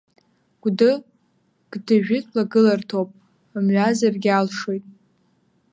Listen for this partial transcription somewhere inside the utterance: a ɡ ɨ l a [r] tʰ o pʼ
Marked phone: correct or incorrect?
correct